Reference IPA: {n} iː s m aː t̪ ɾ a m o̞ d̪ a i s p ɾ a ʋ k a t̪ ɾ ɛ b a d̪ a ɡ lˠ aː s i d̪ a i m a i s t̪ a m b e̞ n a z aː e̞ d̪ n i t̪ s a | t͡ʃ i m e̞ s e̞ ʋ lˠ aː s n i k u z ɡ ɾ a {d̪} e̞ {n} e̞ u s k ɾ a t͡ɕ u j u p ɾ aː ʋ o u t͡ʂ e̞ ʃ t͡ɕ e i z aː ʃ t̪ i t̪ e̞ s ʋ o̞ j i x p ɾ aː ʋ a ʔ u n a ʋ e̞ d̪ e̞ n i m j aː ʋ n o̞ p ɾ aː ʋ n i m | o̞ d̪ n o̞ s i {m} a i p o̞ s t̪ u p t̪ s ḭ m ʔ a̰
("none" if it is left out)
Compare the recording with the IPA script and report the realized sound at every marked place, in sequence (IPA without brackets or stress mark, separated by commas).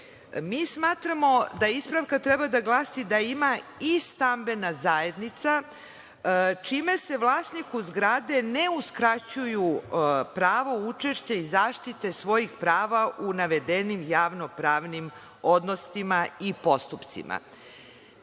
m, d̪, n, m